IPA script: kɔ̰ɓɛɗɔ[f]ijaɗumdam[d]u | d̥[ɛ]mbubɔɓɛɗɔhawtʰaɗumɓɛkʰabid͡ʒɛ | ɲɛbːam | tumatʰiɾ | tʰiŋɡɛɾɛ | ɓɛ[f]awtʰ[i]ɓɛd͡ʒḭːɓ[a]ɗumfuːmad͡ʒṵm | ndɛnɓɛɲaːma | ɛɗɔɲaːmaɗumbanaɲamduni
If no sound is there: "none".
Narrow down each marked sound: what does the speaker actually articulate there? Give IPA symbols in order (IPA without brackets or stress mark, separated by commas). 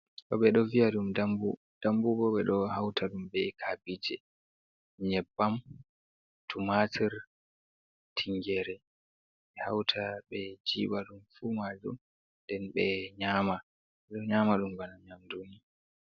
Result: v, b, a, h, a, a